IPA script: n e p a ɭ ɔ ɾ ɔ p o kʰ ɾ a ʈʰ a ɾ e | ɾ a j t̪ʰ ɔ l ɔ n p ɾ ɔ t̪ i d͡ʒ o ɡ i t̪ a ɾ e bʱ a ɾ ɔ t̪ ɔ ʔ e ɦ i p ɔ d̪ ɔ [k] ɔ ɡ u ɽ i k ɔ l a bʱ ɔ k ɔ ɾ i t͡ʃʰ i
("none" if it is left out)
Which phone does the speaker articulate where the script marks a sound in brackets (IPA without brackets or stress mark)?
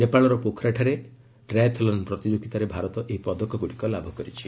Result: k